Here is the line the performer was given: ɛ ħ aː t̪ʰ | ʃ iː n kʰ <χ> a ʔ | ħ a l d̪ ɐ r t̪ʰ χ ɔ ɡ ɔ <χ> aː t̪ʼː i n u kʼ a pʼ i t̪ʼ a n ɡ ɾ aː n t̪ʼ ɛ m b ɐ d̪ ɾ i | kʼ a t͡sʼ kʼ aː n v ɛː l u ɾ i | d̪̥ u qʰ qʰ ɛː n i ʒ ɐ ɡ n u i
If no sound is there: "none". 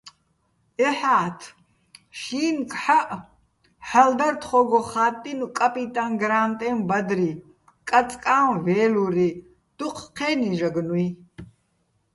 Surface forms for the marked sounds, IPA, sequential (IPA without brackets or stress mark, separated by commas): ħ, χ